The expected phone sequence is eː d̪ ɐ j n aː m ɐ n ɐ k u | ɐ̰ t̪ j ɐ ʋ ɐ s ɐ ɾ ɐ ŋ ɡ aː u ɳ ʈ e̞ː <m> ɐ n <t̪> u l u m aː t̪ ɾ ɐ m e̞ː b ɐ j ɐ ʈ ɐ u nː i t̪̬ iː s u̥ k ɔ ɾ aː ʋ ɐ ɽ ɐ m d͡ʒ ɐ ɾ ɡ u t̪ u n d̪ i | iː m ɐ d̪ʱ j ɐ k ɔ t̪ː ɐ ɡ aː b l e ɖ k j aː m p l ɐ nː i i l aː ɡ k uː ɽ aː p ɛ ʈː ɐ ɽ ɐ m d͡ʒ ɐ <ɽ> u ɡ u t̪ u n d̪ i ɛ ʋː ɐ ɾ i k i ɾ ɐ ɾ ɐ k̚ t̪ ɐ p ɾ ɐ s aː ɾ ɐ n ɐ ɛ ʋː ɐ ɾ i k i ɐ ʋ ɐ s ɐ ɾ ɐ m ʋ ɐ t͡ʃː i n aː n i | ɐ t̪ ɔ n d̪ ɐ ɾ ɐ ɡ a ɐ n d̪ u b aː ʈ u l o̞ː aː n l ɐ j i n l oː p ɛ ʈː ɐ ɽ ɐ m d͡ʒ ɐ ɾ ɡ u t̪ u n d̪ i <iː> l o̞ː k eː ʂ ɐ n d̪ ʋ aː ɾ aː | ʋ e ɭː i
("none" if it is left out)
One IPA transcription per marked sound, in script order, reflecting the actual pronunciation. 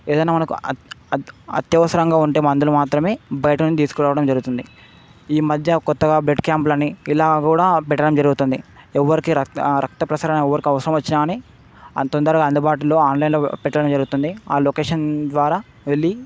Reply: m, d̪, ɾ, aː

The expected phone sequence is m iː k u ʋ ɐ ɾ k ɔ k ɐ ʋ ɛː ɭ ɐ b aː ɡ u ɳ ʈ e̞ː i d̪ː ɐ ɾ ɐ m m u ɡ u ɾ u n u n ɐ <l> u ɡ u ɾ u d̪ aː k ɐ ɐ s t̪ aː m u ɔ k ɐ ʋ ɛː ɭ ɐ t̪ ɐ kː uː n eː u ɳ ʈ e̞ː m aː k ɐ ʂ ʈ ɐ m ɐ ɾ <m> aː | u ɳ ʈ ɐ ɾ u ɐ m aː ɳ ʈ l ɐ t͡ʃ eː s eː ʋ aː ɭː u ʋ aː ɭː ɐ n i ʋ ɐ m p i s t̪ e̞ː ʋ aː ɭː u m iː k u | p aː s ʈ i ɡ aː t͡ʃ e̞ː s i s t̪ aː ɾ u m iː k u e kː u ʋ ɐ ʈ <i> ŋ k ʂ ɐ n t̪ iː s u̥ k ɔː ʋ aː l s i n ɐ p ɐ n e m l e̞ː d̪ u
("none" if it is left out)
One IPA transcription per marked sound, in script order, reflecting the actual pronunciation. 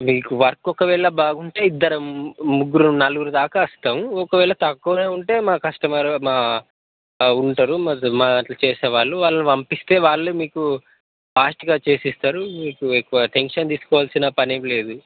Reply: l, m, e

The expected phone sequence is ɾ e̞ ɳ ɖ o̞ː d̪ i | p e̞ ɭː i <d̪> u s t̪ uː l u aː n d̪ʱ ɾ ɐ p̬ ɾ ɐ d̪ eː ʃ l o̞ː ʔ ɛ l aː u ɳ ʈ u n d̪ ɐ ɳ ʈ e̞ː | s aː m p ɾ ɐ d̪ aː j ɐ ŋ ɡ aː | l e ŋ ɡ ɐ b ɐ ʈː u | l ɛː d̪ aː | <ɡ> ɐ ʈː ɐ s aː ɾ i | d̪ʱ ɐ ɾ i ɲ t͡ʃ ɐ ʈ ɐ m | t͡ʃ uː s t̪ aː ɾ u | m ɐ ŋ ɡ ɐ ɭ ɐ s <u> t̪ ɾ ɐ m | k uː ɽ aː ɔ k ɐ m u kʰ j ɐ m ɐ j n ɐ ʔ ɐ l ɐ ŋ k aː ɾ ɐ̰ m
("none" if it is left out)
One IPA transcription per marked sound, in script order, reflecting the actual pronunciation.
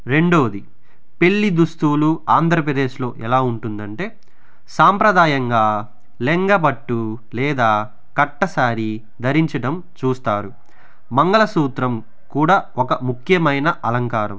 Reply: d̪, k, uː

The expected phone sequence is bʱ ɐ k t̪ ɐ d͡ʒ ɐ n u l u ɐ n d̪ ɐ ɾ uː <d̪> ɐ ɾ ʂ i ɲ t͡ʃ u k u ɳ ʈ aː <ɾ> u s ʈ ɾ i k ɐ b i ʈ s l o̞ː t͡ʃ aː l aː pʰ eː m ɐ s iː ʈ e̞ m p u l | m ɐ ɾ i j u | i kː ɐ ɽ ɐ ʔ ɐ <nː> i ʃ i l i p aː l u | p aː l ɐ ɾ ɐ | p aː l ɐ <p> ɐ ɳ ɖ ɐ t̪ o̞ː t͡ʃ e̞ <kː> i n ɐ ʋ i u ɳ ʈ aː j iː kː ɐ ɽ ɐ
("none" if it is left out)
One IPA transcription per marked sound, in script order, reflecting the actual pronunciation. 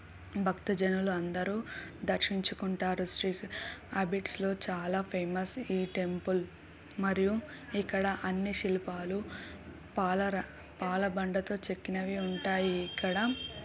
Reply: d̪, ɾ, nː, b, kː

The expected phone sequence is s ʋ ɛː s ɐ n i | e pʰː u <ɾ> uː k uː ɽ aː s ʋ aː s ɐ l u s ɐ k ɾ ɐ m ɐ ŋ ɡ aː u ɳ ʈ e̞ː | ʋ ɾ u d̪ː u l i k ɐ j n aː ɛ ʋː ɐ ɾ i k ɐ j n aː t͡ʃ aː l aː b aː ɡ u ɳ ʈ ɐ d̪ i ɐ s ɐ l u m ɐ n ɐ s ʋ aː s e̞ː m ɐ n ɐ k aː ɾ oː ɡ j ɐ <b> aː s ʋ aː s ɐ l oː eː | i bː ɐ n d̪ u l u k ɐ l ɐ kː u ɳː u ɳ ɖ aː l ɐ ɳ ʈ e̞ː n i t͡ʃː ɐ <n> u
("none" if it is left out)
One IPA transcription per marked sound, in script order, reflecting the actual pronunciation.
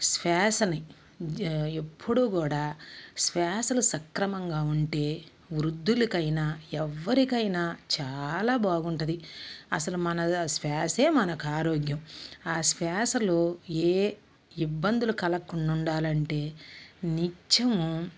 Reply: ɽ, m, m

